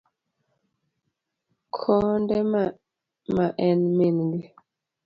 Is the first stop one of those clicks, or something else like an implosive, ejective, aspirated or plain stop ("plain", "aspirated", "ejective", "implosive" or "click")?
aspirated